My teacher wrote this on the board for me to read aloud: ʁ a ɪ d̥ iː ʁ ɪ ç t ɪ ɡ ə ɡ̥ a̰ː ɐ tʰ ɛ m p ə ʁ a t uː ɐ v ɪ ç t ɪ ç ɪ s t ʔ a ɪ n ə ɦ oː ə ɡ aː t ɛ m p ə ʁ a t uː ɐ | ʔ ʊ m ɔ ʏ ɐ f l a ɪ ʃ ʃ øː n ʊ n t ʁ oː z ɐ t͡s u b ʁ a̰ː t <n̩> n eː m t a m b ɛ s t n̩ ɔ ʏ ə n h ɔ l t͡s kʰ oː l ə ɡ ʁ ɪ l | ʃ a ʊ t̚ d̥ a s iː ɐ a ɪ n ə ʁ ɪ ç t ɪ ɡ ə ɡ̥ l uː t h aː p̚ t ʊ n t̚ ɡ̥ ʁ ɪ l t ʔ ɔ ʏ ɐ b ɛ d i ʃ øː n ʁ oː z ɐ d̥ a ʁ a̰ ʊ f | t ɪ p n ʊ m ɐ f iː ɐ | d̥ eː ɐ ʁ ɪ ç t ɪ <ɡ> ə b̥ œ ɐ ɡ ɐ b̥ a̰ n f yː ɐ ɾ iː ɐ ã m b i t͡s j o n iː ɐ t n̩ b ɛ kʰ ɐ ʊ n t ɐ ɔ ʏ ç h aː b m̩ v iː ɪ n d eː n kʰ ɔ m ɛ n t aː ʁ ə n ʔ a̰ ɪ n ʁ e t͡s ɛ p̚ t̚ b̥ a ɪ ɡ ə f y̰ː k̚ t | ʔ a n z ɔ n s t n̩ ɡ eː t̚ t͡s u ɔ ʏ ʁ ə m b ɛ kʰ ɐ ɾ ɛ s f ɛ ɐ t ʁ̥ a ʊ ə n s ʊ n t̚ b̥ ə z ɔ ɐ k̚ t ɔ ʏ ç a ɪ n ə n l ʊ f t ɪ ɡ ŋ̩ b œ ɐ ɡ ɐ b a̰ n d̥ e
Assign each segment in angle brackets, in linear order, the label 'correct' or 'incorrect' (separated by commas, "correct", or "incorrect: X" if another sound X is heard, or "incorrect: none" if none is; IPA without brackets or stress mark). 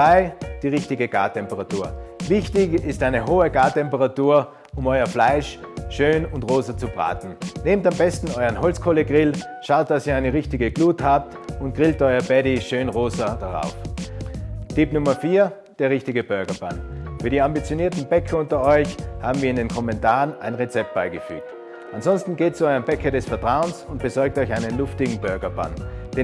correct, correct